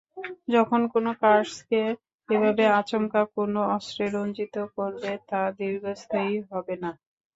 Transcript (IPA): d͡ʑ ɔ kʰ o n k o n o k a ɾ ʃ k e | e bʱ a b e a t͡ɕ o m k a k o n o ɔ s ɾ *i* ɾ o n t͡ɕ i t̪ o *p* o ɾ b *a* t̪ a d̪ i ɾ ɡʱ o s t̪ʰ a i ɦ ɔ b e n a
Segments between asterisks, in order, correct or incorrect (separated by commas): incorrect, incorrect, incorrect